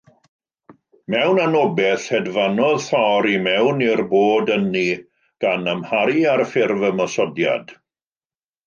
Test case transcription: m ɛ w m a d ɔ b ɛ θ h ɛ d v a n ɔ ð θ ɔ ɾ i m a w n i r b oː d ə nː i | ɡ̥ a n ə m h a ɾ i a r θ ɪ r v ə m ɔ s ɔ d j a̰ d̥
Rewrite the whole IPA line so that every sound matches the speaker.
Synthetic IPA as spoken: m ɛ w n a n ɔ b ɛ θ h ɛ d v a n ɔ ð θ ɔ ɾ i m ɛ w n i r b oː d ə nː i | ɡ̥ a n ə m h a ɾ i a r f ɪ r v ə m ɔ s ɔ d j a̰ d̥